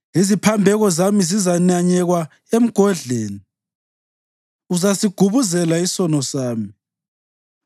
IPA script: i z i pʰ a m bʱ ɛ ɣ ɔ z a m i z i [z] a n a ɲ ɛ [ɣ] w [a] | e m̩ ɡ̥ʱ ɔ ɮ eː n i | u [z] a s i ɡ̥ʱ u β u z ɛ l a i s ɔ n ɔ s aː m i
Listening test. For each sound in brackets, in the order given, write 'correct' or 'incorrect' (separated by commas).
correct, correct, correct, correct